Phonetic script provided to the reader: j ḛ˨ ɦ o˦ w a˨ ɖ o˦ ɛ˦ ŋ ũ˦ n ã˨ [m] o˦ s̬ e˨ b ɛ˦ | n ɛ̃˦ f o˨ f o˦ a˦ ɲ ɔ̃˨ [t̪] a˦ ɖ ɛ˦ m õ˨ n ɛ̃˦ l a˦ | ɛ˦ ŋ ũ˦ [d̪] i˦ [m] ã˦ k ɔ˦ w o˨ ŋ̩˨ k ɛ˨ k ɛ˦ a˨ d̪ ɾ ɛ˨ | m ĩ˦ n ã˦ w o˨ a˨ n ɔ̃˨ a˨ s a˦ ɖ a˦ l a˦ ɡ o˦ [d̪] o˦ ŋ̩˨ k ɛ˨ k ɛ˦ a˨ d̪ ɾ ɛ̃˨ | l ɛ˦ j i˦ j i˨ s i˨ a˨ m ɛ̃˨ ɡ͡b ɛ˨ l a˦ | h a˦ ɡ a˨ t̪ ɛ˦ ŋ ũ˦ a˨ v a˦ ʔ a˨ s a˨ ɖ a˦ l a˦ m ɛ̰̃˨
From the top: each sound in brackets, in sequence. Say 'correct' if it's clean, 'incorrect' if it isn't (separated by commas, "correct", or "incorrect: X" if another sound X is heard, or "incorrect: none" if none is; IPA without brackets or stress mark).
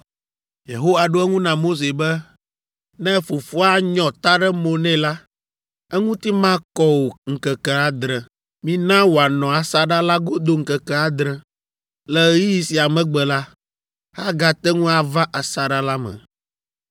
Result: correct, correct, incorrect: t̪, correct, correct